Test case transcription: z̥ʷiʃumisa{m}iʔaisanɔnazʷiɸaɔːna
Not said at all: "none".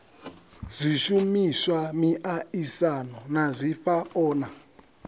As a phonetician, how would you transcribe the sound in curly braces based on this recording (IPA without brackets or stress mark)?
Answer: m